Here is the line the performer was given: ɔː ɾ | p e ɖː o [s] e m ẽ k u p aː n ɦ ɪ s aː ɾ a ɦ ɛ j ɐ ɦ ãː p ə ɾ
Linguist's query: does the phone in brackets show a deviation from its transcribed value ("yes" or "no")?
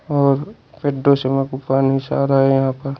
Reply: no